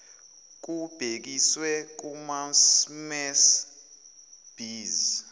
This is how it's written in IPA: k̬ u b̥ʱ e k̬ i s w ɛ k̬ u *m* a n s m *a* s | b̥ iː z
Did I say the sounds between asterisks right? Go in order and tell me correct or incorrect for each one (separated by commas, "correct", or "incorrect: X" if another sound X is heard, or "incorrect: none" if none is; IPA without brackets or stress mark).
correct, incorrect: ɛ